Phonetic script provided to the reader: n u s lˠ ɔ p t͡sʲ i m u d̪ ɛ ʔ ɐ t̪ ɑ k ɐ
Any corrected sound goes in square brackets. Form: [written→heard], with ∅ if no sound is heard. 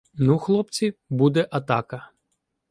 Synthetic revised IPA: n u [s→x] lˠ ɔ p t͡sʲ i [m→b] u d̪ ɛ ʔ ɐ t̪ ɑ k ɐ